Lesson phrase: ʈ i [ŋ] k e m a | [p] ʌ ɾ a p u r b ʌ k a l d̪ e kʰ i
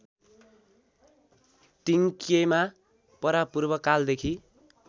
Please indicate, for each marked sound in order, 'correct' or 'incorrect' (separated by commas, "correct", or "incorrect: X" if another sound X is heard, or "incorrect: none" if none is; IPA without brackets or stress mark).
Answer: correct, correct